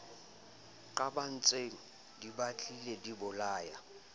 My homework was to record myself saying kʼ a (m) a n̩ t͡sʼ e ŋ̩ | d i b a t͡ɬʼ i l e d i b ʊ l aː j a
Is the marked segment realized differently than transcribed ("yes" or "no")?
yes